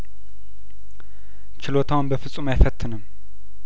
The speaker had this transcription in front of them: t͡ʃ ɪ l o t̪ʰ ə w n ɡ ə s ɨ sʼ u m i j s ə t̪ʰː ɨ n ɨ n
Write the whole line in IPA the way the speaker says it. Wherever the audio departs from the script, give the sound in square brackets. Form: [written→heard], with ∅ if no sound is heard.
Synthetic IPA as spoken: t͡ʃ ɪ l o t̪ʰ [ə→a] w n [ɡ→b] ə [s→f] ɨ sʼ u m [i→a] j [s→f] ə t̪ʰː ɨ n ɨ [n→m]